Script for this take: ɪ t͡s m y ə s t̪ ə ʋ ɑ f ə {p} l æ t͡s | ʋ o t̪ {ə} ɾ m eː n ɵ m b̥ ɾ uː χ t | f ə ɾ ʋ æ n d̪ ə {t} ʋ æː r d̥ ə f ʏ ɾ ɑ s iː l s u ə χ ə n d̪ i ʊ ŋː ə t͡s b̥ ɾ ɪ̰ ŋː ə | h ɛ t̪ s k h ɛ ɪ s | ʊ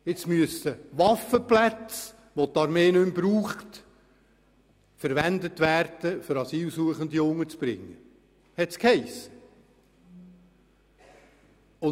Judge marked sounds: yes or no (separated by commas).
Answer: yes, no, yes